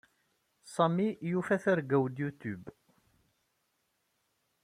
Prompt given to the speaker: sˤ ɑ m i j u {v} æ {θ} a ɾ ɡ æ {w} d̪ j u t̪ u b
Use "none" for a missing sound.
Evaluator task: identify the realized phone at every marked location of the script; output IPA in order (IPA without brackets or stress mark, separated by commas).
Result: f, θ, w